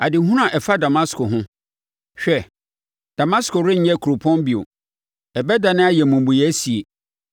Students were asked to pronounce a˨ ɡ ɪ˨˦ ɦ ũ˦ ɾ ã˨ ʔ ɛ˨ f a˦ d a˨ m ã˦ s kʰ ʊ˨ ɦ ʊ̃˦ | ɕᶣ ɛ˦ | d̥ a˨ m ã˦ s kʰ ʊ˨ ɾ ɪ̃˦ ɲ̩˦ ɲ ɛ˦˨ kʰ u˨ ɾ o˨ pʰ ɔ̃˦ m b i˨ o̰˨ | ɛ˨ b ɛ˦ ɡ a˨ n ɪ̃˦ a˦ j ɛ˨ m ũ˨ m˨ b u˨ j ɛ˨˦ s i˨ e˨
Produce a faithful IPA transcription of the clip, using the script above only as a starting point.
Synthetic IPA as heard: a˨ d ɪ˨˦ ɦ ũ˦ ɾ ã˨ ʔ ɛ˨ f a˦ d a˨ m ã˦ s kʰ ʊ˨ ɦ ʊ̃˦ | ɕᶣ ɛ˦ | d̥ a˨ m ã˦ s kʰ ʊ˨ ɾ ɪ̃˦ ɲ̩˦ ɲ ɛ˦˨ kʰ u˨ ɾ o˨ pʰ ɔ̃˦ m b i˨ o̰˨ | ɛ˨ b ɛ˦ d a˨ n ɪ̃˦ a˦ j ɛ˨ m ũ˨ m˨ b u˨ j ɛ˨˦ s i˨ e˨